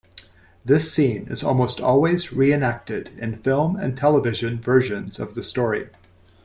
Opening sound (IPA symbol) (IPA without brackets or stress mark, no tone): ð